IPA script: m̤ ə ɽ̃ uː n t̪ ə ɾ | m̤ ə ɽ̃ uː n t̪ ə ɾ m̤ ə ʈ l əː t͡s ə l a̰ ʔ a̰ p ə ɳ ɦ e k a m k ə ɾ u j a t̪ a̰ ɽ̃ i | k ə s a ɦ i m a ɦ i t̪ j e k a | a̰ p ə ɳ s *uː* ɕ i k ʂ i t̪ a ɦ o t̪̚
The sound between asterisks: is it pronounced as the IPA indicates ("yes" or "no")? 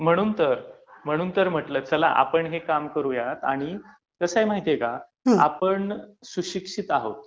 no